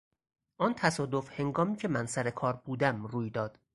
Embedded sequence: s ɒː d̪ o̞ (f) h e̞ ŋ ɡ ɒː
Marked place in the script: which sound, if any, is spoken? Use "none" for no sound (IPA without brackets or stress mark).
f